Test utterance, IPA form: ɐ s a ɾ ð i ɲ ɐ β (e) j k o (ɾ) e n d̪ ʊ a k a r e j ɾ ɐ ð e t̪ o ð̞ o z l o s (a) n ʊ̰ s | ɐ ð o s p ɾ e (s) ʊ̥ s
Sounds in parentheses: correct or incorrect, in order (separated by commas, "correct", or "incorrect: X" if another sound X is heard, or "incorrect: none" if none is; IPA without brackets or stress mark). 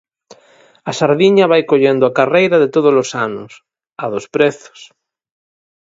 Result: incorrect: a, incorrect: ʎ, correct, incorrect: θ